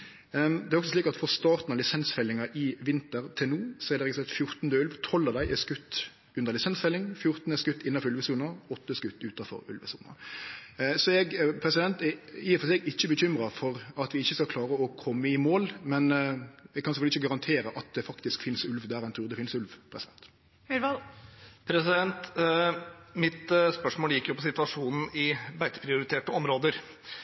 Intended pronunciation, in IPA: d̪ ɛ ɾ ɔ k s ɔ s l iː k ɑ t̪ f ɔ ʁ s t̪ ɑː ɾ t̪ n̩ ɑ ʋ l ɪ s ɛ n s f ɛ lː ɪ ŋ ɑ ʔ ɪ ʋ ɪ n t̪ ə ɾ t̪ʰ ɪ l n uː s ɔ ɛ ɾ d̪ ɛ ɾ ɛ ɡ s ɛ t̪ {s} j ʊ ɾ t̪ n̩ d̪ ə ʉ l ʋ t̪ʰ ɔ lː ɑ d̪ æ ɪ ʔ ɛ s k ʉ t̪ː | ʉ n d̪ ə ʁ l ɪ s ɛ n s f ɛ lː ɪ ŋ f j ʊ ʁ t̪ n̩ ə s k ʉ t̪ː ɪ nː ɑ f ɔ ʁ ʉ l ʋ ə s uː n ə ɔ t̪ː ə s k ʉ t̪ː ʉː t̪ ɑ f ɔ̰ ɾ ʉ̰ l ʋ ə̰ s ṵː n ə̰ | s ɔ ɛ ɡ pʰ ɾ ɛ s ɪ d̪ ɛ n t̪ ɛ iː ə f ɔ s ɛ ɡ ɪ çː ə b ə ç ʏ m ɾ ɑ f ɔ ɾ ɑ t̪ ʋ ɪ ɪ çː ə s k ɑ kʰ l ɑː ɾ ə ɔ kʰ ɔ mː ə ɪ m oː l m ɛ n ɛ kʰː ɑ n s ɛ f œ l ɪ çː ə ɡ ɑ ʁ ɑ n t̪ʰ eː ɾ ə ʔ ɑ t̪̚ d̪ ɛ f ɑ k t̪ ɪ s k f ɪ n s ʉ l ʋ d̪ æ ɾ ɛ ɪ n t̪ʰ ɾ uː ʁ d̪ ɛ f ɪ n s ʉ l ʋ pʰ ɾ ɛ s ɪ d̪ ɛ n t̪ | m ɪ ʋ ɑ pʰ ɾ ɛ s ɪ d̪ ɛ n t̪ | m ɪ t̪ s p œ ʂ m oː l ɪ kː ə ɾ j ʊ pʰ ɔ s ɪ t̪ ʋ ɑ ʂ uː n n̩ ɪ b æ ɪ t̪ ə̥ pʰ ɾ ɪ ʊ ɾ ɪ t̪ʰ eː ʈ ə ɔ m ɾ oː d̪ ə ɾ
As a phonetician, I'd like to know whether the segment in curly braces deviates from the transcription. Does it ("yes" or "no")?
yes